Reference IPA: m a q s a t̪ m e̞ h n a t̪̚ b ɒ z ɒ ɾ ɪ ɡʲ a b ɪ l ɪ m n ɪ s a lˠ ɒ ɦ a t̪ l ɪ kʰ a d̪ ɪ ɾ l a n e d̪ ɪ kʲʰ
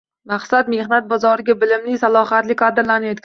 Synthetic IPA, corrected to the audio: m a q s a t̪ m e̞ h n a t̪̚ b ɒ z ɒ ɾ ɪ ɡʲ a b ɪ l ɪ m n ɪ s a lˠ ɒ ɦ a t̪ l ɪ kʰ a d̪ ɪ ɾ l a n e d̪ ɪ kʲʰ